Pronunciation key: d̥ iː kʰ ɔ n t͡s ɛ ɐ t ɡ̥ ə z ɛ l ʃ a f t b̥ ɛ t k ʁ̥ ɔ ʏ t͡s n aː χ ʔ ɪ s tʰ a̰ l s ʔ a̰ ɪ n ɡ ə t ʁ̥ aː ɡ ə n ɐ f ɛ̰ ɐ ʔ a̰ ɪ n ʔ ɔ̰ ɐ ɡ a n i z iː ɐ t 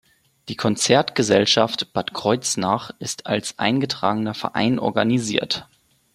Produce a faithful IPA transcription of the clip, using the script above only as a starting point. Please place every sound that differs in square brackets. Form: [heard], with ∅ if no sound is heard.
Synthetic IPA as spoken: d̥ iː kʰ ɔ n t͡s ɛ ɐ t ɡ̥ ə z ɛ l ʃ a f t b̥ [a] t k ʁ̥ ɔ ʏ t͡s n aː χ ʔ ɪ s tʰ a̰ l s ʔ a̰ ɪ n ɡ ə t ʁ̥ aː ɡ ə n ɐ f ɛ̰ ɐ ʔ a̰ ɪ n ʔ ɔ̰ ɐ ɡ a n i z iː ɐ t

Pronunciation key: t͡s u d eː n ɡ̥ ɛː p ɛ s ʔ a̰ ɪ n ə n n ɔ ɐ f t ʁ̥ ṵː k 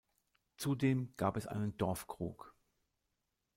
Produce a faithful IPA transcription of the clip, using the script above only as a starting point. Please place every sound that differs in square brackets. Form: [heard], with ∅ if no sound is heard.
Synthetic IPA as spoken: t͡s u d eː [m] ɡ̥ [aː] p ɛ s ʔ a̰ ɪ n ə n [d] ɔ ɐ f [k] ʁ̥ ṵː k

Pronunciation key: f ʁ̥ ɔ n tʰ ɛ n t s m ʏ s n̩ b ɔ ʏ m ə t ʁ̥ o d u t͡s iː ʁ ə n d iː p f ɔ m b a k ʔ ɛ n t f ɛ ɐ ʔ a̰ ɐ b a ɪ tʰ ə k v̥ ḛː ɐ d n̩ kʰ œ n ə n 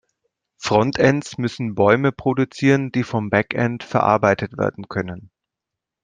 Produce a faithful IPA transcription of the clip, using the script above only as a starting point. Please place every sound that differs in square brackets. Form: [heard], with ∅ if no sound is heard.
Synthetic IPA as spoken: f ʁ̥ ɔ n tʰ ɛ n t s m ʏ s n̩ b ɔ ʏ m ə [p] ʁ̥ o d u t͡s iː ʁ ə n d iː [∅] f ɔ m b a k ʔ ɛ n t f ɛ ɐ ʔ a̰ ɐ b a ɪ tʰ ə [t] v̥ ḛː ɐ d n̩ kʰ œ n ə n

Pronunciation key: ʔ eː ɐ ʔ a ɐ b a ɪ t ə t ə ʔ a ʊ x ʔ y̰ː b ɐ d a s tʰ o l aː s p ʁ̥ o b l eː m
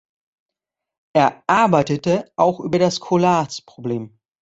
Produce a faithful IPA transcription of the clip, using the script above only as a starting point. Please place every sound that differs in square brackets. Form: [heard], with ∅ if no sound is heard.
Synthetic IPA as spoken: ʔ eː ɐ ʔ a ɐ b a ɪ t ə t ə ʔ a ʊ x ʔ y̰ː b ɐ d a s [kʰ] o l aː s p ʁ̥ o b l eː m

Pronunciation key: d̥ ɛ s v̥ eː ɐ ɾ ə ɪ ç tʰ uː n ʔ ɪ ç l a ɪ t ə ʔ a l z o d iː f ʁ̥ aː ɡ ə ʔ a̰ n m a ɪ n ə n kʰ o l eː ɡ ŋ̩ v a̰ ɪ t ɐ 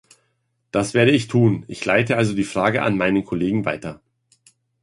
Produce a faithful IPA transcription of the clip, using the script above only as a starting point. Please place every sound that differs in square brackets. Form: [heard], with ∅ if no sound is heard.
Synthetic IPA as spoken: d̥ [a] s v̥ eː ɐ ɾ ə ɪ ç tʰ uː n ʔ ɪ ç l a ɪ t ə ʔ a l z o d iː f ʁ̥ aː ɡ ə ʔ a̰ n m a ɪ n ə n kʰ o l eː ɡ ŋ̩ v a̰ ɪ t ɐ

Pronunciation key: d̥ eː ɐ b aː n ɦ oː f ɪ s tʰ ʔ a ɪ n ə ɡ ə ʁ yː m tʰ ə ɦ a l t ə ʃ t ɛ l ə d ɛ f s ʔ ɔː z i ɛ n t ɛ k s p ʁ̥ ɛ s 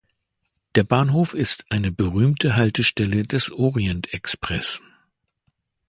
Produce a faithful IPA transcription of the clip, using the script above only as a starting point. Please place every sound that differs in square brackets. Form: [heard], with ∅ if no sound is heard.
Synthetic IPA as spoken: d̥ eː ɐ b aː n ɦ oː f ɪ s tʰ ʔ a ɪ n ə [b] ə ʁ yː m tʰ ə ɦ a l t ə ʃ t ɛ l ə d ɛ [∅] s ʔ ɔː [ʁ] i ɛ n t ɛ k s p ʁ̥ ɛ s

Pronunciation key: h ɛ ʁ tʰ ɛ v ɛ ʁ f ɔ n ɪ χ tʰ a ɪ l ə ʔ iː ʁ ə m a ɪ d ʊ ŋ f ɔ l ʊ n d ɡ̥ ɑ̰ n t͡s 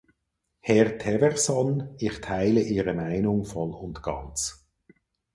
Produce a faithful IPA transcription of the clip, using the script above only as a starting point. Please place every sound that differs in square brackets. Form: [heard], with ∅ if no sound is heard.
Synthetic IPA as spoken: h ɛ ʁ tʰ ɛ v ɛ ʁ [s] ɔ n ɪ χ tʰ a ɪ l ə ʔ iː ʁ ə m a ɪ [n] ʊ ŋ f ɔ l ʊ n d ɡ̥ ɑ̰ n t͡s

